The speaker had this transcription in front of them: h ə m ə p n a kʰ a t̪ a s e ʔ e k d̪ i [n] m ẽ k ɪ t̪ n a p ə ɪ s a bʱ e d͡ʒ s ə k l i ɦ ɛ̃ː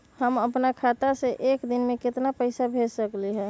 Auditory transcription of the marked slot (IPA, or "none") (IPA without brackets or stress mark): n